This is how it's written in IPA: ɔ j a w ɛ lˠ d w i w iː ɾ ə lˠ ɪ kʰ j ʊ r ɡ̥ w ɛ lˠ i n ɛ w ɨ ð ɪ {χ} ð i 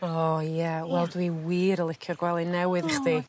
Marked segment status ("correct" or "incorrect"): correct